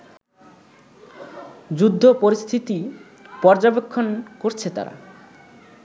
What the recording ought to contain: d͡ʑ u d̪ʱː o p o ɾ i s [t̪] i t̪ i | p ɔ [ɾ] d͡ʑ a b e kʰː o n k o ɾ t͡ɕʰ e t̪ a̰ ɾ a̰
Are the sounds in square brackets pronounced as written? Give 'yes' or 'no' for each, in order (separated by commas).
no, yes